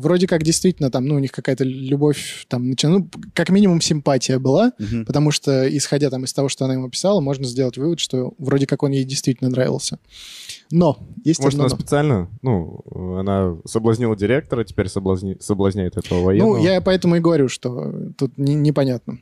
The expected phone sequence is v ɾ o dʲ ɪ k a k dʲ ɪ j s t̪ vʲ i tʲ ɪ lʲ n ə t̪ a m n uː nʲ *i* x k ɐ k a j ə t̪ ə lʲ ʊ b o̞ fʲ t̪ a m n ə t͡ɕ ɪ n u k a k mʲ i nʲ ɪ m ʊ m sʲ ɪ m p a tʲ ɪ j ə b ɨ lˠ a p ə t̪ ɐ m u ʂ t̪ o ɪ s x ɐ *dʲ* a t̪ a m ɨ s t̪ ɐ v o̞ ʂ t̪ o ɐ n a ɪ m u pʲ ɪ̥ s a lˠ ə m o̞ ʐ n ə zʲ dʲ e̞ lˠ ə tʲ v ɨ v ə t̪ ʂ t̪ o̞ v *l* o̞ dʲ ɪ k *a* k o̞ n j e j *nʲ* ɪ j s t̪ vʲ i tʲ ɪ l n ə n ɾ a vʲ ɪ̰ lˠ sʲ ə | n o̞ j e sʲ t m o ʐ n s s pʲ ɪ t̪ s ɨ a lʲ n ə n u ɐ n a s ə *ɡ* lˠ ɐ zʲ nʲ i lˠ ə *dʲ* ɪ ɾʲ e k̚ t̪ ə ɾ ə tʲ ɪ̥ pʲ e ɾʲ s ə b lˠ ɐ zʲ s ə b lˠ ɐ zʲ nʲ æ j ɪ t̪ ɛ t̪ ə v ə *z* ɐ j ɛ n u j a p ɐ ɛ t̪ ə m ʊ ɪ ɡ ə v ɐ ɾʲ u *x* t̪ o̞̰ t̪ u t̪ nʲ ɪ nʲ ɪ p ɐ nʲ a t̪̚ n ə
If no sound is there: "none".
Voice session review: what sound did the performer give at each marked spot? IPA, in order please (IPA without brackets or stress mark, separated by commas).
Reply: i, dʲ, ɾ, a, dʲ, b, dʲ, v, ʂ